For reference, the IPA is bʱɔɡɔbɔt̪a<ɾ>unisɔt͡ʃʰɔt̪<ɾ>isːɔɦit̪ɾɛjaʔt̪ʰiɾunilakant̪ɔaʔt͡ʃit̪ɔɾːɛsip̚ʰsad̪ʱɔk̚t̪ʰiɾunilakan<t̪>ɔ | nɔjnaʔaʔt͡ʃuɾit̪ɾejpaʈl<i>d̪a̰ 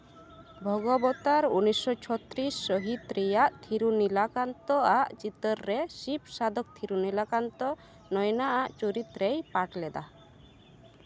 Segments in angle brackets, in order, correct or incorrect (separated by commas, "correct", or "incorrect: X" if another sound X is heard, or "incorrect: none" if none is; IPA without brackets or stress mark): correct, correct, correct, incorrect: ɛ